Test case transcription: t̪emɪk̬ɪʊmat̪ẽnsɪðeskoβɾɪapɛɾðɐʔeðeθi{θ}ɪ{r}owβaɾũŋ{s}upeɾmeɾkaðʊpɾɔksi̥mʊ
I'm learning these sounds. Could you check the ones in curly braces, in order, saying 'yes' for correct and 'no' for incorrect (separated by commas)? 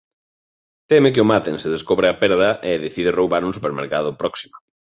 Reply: no, yes, yes